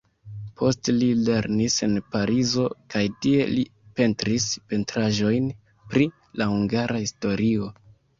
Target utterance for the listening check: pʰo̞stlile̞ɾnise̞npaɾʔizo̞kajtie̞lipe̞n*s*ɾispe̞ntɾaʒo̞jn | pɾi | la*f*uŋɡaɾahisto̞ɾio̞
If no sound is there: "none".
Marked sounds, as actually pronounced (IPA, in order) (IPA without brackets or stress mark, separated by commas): t, h